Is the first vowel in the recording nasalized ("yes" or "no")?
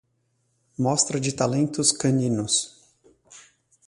no